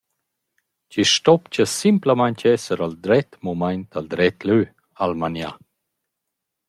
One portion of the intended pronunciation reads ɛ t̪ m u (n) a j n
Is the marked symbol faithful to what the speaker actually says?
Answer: no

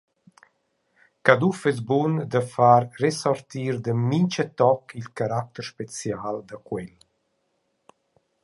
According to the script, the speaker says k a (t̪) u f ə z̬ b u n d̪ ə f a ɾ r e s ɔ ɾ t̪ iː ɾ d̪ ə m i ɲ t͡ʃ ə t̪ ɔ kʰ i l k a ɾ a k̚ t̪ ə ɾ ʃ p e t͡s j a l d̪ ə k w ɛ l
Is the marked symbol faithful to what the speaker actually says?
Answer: no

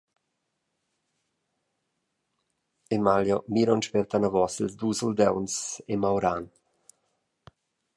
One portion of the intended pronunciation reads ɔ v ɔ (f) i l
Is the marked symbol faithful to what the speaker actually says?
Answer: no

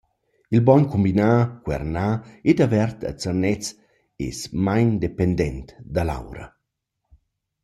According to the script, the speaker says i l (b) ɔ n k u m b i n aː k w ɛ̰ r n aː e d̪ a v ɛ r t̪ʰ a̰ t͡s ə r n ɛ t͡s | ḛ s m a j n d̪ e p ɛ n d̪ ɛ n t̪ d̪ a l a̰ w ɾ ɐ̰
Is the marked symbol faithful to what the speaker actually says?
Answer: yes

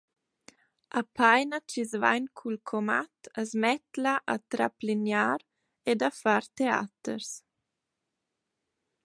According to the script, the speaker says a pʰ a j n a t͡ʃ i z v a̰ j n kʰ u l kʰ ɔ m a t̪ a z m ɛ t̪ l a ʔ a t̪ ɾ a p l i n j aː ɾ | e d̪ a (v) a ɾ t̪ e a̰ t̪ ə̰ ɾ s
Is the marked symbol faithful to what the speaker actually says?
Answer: no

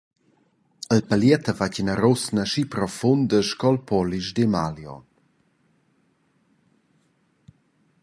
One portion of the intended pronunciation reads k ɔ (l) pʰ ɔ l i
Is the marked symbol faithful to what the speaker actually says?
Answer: yes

